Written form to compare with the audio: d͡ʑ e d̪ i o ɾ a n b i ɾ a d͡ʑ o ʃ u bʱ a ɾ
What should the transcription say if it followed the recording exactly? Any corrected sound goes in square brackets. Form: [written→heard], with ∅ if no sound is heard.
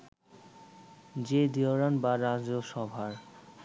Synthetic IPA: d͡ʑ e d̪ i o ɾ a n b [i→a] ɾ a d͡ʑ o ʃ [u→ɔ] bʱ a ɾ